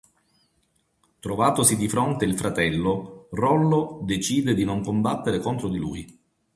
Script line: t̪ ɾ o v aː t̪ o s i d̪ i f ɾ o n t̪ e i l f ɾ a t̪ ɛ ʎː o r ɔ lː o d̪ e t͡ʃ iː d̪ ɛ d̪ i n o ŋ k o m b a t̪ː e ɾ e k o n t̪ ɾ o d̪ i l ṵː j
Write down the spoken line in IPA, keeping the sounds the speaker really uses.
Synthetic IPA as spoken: t̪ ɾ o v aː t̪ o s i d̪ i f ɾ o n t̪ e i l f ɾ a t̪ ɛ lː o r ɔ lː o d̪ e t͡ʃ iː d̪ e d̪ i n o ŋ k o m b a t̪ː e ɾ e k o n t̪ ɾ o d̪ i l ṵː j